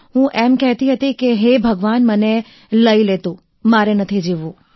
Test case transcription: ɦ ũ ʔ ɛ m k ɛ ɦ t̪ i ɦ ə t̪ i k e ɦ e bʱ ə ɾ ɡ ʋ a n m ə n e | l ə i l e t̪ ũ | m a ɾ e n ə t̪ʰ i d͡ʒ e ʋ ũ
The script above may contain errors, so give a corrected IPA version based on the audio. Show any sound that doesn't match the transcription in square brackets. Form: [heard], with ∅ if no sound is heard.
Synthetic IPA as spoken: ɦ ũ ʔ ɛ m k ɛ ɦ t̪ i ɦ ə t̪ i k e ɦ e bʱ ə [∅] ɡ ʋ a n m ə n e | l ə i l e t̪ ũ | m a ɾ e n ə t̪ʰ i d͡ʒ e ʋ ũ